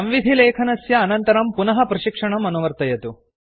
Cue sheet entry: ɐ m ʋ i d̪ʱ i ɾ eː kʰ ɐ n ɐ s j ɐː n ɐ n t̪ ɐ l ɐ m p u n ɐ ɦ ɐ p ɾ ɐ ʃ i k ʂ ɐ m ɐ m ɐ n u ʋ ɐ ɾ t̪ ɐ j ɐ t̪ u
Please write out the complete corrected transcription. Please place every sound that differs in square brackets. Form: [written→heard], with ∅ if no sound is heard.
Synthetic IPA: ɐ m ʋ i d̪ʱ i [ɾ→l] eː kʰ ɐ n ɐ s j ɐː n ɐ n t̪ ɐ [l→ɾ] ɐ m p u n ɐ ɦ ɐ p ɾ ɐ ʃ i k ʂ ɐ [m→ɳ] ɐ m ɐ n u ʋ ɐ ɾ t̪ ɐ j ɐ t̪ u